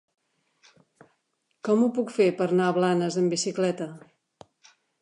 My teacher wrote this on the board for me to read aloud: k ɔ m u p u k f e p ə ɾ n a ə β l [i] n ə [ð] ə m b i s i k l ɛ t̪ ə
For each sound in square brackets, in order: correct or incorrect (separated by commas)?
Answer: incorrect, incorrect